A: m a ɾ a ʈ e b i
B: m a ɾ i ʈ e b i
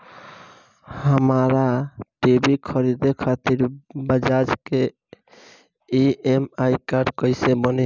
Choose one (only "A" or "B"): A